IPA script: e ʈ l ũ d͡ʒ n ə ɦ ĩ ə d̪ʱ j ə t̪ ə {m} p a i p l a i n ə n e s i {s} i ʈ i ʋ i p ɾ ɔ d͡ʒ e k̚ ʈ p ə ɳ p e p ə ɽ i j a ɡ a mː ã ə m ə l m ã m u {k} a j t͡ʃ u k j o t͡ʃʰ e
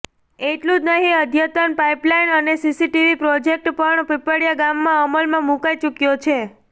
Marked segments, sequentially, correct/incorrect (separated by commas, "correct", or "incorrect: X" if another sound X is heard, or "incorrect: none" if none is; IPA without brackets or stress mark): incorrect: n, correct, correct